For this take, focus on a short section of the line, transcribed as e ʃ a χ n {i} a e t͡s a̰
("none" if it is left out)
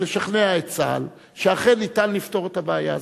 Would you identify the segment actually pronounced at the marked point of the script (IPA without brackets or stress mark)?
e